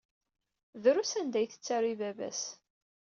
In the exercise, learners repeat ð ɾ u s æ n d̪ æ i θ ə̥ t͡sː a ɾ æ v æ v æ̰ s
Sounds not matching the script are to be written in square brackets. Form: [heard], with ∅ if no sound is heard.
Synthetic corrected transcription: ð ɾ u s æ n d̪ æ [j] θ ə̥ t͡sː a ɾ [i] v æ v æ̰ s